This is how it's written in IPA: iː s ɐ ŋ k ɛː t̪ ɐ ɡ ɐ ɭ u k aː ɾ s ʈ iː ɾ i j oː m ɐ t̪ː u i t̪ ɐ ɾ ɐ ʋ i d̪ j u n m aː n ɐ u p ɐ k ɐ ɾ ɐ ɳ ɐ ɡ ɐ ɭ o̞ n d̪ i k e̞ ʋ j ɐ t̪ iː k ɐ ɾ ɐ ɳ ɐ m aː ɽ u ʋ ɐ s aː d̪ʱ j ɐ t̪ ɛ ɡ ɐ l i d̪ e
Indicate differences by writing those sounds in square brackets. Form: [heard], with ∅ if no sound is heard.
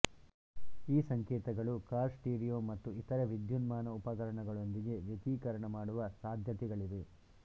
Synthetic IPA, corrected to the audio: iː s ɐ ŋ k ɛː t̪ ɐ ɡ ɐ ɭ u k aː ɾ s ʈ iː ɾ i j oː m ɐ t̪ː u i t̪ ɐ ɾ ɐ ʋ i d̪ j u n m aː n ɐ u p ɐ k ɐ ɾ ɐ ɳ ɐ ɡ ɐ ɭ o̞ n d̪ i [ɡ] e̞ ʋ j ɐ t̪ iː k ɐ ɾ ɐ ɳ ɐ m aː ɽ u ʋ ɐ s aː d̪ʱ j ɐ t̪ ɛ ɡ ɐ [ɭ] i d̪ e